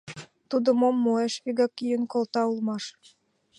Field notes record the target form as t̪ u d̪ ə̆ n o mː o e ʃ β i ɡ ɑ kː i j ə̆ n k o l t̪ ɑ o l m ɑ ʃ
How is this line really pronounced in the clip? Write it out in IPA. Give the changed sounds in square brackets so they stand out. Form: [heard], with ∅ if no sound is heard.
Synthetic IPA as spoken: t̪ u d̪ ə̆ [m] o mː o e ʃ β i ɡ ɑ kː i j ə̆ n k o l t̪ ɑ [u] l m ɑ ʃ